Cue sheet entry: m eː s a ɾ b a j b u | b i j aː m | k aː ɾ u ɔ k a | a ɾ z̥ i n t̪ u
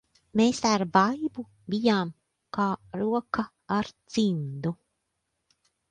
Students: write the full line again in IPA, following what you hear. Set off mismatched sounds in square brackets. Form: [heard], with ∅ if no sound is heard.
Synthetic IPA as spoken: m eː s a ɾ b a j b u | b i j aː m | k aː ɾ u ɔ k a | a ɾ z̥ i n [d̪] u